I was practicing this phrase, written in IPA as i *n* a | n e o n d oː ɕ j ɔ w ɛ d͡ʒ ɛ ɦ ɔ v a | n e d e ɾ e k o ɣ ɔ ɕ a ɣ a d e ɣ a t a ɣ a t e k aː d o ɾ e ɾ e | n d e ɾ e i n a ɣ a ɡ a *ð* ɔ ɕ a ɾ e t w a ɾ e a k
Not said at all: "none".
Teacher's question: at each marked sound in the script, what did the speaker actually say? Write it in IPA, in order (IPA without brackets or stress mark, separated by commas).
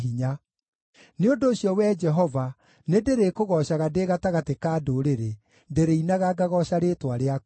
ɲ, ɣ